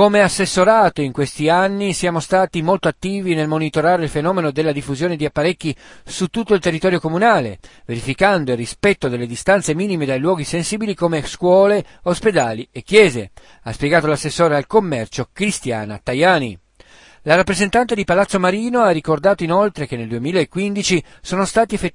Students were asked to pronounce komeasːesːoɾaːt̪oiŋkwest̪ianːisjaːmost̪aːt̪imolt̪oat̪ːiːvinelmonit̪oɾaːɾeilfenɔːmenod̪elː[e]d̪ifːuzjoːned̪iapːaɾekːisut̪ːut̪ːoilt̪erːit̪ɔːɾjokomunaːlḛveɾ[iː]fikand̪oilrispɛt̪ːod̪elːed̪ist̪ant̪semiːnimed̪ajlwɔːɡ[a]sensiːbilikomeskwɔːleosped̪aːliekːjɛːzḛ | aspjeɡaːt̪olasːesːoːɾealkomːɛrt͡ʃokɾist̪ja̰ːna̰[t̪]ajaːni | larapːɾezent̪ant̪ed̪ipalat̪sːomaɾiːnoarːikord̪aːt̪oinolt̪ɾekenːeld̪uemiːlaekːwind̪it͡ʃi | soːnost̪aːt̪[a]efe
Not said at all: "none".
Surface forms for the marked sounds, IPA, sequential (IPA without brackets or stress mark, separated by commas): a, i, i, t̪, i